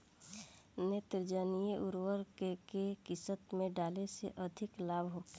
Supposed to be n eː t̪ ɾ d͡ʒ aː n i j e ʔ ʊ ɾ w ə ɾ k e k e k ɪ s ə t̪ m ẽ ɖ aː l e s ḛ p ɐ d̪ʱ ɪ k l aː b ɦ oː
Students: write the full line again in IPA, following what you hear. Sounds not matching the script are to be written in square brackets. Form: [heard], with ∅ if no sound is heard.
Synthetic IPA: n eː t̪ ɾ d͡ʒ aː n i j e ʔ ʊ ɾ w ə ɾ k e k e k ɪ s ə t̪ m ẽ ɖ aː l e s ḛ [ʔ] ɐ d̪ʱ ɪ k l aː b ɦ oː